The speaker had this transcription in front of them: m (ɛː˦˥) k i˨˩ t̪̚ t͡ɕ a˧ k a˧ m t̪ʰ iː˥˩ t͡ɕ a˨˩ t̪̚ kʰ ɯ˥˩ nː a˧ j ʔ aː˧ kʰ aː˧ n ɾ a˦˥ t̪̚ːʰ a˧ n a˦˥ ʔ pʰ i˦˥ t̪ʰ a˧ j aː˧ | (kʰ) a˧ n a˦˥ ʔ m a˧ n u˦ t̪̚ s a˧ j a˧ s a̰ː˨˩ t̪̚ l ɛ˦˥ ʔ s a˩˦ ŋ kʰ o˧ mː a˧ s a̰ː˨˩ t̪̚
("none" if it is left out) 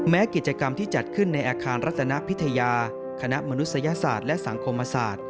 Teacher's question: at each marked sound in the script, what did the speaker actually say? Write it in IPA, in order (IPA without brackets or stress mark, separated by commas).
ɛː˦˥, kʰ